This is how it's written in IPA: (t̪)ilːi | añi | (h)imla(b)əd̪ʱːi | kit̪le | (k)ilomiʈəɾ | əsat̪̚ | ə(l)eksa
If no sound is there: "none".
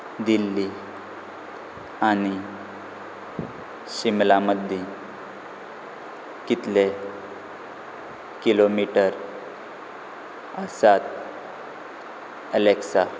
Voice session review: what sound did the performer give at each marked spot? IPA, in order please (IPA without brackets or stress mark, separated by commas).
d̪, ɕ, m, k, l